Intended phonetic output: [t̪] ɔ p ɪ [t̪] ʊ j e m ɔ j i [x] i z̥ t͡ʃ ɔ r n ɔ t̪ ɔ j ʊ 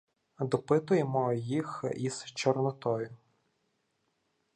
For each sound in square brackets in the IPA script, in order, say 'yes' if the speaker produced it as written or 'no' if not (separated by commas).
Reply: no, yes, yes